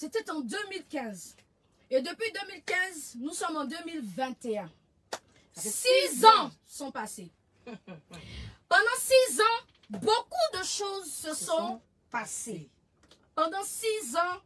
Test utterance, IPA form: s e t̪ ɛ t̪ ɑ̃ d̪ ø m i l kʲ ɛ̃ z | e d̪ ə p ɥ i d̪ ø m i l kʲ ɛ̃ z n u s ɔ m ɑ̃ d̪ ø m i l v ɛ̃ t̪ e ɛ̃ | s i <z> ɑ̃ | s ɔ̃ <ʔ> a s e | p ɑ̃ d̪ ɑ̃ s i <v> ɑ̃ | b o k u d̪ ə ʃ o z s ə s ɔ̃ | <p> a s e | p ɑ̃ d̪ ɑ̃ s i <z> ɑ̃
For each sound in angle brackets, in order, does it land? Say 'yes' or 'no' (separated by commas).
yes, no, no, yes, yes